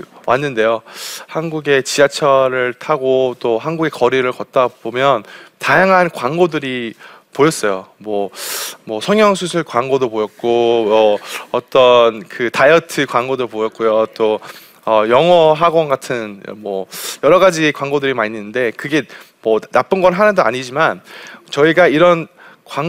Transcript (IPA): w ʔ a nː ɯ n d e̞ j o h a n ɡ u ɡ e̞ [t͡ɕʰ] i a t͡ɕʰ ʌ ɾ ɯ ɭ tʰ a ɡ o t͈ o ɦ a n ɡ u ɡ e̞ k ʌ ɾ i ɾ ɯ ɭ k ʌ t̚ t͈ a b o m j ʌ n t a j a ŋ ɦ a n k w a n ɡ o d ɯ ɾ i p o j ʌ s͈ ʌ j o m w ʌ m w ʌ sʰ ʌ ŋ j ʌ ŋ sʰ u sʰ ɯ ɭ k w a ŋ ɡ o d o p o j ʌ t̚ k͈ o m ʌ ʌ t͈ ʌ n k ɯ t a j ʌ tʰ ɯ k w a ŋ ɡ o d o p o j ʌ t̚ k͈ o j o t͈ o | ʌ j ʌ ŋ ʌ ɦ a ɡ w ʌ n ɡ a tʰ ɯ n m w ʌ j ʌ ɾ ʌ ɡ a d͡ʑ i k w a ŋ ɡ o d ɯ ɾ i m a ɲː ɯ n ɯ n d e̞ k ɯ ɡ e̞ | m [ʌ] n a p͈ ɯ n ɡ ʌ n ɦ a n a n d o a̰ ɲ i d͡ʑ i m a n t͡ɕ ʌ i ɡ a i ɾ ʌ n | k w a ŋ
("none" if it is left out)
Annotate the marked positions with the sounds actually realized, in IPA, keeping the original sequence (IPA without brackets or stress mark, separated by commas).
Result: t͡ɕ, ʌ